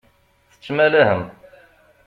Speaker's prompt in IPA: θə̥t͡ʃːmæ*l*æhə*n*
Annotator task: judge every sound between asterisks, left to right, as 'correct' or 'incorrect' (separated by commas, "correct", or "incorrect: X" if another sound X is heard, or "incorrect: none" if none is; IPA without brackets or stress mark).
correct, incorrect: m